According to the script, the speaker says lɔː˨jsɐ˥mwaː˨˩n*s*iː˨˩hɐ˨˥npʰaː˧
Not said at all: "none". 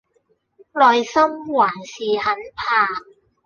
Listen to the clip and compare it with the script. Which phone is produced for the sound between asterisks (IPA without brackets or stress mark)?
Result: s